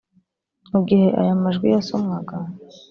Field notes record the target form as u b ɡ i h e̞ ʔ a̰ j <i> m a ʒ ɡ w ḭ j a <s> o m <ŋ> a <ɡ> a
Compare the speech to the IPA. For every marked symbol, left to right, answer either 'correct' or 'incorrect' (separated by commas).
incorrect, correct, correct, correct